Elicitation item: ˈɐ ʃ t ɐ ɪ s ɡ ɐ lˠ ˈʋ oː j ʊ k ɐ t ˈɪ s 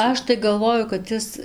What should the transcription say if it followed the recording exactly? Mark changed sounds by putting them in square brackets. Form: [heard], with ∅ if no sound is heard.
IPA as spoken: ˈɐ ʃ t ɐ ɪ [∅] ɡ ɐ lˠ ˈʋ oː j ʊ k ɐ t ˈɪ s